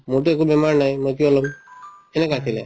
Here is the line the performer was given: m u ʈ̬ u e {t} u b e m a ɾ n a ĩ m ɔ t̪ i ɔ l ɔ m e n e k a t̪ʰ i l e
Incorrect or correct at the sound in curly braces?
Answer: incorrect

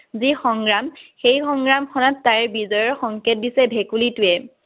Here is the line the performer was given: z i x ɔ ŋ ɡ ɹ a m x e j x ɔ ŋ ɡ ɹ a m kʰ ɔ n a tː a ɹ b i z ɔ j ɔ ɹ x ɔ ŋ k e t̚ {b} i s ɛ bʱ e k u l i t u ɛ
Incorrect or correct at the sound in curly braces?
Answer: incorrect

